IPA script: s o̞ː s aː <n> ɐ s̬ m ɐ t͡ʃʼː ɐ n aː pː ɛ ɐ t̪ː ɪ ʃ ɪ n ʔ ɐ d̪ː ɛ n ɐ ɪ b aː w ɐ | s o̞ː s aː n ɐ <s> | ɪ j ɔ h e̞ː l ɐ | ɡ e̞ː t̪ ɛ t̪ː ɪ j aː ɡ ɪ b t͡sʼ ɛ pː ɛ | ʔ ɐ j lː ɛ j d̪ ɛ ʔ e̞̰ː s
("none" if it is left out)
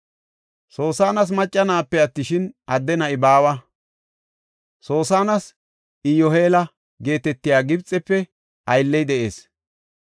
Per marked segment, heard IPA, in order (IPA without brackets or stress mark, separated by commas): n, s